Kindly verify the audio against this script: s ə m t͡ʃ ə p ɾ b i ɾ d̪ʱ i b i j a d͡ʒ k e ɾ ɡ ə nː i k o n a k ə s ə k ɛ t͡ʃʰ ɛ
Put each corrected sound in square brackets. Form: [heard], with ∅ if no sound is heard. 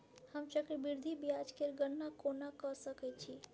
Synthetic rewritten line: [h] ə m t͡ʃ ə [k] ɾ b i ɾ d̪ʱ i b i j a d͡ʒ k e ɾ ɡ ə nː [a] k o n a k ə s ə k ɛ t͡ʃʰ [i]